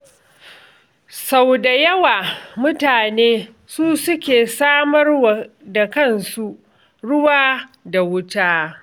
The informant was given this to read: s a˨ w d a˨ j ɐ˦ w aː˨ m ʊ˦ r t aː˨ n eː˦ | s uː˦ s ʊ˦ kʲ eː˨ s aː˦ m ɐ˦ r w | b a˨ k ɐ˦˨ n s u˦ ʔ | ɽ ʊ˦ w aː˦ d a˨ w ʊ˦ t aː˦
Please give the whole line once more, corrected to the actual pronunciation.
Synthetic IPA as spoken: s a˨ w d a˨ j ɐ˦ w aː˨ m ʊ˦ t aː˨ n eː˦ | s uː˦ s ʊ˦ kʲ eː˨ s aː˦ m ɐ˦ r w | d a˨ k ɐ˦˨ n s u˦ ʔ | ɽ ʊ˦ w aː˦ d a˨ w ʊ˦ t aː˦